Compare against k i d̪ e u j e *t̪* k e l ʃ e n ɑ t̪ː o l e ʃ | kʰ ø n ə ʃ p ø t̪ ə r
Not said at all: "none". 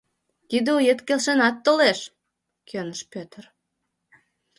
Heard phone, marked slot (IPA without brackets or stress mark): t̪